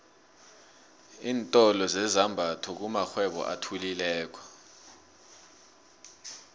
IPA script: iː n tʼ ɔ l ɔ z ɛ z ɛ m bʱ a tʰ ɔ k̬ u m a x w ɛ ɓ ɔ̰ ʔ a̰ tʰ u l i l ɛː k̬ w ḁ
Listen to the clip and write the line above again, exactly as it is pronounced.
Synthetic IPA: iː n tʼ ɔ l ɔ z ɛ z a m bʱ a tʰ ɔ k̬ u m a x w ɛ ɓ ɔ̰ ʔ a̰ tʰ u l i l ɛː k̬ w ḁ